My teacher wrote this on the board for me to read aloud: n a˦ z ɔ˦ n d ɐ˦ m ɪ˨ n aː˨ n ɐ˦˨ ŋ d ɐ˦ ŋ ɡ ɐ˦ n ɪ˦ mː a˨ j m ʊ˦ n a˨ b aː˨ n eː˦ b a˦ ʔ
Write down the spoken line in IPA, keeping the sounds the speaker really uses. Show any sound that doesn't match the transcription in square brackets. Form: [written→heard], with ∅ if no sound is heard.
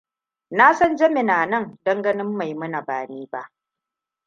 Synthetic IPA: n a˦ [z→s] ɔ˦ n [d→d͡ʒ] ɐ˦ m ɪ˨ n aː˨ n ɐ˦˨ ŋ d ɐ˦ ŋ ɡ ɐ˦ n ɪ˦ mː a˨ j m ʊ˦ n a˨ b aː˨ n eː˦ b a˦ ʔ